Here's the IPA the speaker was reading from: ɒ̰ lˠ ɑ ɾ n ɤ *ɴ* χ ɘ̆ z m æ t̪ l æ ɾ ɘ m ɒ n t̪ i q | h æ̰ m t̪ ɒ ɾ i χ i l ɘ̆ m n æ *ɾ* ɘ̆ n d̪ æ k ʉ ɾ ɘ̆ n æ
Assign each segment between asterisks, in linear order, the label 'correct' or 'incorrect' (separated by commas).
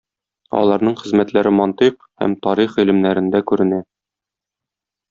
correct, correct